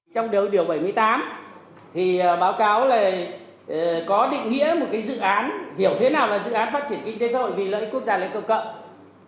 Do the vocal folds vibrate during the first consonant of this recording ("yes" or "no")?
no